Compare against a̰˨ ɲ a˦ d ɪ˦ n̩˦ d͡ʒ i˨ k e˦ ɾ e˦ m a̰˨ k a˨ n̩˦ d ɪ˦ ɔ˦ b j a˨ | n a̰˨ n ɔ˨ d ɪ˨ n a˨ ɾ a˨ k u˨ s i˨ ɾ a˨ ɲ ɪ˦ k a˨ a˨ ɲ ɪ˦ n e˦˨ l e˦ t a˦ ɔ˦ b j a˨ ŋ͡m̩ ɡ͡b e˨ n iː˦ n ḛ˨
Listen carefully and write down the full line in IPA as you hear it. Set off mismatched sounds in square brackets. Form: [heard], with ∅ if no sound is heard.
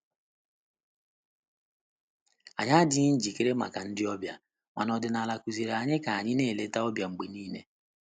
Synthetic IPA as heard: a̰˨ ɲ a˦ d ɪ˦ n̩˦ d͡ʒ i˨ k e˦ ɾ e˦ m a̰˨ k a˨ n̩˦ d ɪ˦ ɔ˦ b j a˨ | [m] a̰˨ n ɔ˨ d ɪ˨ n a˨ [l] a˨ k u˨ [z] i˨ ɾ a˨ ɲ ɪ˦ k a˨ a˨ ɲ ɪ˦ n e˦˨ l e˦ t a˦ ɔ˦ b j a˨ ŋ͡m̩ ɡ͡b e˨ n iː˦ n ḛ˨